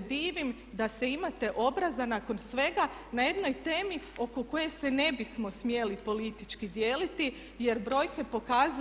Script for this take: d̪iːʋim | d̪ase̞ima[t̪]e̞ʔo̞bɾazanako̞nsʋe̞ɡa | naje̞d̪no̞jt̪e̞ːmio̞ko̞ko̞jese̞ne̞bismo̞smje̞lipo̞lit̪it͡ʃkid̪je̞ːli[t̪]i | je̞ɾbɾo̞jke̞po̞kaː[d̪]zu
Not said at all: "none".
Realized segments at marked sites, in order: t̪, t̪, none

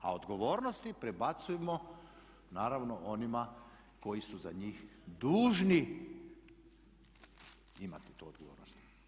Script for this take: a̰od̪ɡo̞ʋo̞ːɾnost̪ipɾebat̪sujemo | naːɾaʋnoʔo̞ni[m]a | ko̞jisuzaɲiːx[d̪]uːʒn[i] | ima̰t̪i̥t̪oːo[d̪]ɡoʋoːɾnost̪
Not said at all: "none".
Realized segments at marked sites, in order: m, d̪, i, d̪

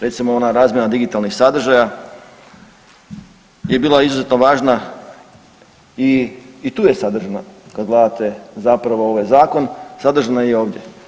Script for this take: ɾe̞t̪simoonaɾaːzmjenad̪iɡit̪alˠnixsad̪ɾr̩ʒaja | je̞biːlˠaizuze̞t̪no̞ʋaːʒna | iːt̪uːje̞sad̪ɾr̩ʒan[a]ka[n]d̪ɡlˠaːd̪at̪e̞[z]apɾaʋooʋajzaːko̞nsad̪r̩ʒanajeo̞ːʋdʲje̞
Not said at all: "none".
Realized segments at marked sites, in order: a, none, z

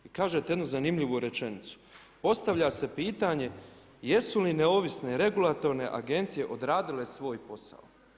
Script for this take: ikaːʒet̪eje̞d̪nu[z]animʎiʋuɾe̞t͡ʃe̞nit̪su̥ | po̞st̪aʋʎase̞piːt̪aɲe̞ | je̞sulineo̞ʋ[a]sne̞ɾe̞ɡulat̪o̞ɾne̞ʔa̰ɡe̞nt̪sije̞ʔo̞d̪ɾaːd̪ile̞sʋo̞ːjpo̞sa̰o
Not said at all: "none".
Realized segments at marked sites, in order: z, i

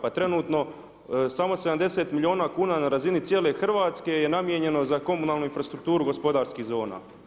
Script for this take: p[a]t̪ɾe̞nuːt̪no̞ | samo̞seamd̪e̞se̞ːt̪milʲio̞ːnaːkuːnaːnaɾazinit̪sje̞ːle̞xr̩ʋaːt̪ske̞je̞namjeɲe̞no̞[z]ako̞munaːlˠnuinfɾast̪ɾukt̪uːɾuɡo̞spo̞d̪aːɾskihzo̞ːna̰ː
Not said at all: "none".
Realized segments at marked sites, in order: a, z

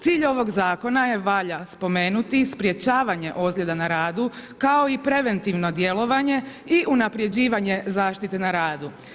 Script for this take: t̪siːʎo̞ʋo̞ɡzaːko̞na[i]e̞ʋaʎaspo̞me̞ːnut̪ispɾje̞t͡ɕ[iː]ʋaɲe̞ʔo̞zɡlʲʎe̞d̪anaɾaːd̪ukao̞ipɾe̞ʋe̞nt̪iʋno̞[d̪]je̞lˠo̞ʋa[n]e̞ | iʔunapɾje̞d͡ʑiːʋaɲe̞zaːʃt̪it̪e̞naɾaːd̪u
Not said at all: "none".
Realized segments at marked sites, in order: j, aː, d̪, ɲ

